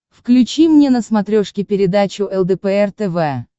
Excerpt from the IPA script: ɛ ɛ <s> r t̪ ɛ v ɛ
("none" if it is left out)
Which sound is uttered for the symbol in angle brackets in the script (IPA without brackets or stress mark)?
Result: none